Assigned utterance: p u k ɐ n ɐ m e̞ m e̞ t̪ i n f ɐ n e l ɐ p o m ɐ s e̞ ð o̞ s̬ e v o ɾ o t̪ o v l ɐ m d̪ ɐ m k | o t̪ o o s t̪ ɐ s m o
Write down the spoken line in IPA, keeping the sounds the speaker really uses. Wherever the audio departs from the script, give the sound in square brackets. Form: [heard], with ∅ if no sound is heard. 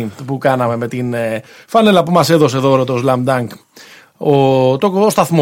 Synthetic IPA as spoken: p u k ɐ n ɐ m e̞ m e̞ t̪ i n f ɐ n e l ɐ p [u] m ɐ s e̞ ð o̞ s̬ e [ð] o ɾ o t̪ o [z] l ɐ m d̪ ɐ [ŋ] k | o t̪ o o s t̪ ɐ [θ] m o